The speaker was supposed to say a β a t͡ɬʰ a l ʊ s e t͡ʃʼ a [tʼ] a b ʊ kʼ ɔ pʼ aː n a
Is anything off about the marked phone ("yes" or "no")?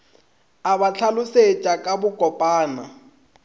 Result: yes